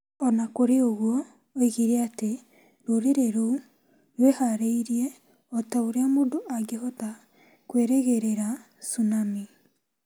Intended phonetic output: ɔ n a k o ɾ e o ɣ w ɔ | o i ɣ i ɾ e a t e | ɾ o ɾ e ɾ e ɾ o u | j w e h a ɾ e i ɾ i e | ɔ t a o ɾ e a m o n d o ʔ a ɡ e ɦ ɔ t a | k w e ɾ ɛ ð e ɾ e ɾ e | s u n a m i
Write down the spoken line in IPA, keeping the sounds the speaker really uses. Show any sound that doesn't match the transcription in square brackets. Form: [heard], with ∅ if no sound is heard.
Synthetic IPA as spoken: ɔ n a k o ɾ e o ɣ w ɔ | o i ɣ i ɾ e a t e | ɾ o ɾ e ɾ e ɾ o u | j w e h a ɾ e i ɾ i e | ɔ t a o ɾ e a m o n d o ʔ a ɡ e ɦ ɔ t a | k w e ɾ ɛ [ɣ] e ɾ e ɾ [a] | s u n a m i